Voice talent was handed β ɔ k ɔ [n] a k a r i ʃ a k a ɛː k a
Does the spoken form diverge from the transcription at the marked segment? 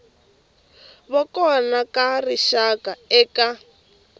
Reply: no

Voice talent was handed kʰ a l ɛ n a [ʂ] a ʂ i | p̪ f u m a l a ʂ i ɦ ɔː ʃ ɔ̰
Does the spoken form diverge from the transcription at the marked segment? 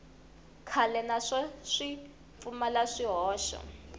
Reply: no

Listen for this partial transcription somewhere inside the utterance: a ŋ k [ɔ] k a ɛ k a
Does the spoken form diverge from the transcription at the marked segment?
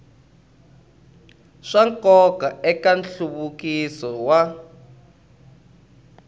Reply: no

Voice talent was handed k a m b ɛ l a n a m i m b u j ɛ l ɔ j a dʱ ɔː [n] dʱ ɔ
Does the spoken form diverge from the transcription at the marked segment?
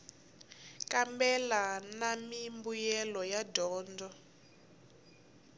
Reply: no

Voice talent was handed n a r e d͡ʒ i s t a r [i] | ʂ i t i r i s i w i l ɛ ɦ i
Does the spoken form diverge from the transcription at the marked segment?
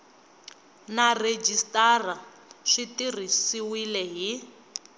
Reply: yes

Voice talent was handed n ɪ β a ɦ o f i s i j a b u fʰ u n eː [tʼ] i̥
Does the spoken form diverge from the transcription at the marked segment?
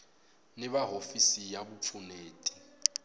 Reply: no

